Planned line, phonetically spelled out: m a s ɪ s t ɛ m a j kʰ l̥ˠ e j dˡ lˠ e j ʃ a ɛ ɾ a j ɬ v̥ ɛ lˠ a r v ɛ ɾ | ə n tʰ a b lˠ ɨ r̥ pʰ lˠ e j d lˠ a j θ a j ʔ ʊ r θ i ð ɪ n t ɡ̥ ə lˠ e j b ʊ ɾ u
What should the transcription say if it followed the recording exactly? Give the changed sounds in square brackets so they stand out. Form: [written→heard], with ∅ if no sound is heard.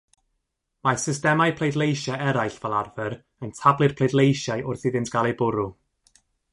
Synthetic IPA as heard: m a s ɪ s t ɛ m a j [kʰ→pʰ] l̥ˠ e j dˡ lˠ e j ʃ a ɛ ɾ a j ɬ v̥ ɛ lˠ a r v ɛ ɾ | ə n tʰ a b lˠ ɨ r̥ pʰ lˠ e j d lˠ [a→e] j [θ→ʃ] a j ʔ ʊ r θ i ð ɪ n t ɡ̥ [ə→a] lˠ e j b ʊ ɾ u